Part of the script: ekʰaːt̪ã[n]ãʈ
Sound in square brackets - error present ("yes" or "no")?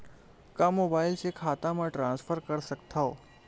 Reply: yes